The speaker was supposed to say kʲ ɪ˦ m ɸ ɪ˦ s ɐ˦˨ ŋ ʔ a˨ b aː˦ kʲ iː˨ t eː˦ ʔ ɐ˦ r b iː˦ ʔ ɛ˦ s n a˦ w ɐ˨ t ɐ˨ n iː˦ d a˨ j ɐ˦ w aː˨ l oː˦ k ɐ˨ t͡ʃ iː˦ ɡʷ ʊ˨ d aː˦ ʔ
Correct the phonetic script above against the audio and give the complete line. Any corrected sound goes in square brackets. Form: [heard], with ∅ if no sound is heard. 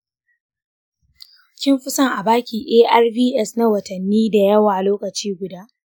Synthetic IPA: kʲ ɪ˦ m ɸ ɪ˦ s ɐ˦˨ ŋ ʔ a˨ b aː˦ kʲ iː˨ [ʔ] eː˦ ʔ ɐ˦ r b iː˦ ʔ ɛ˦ s n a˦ w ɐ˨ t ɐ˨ [nː] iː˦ d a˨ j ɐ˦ w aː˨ l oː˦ k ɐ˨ t͡ʃ iː˦ ɡʷ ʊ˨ d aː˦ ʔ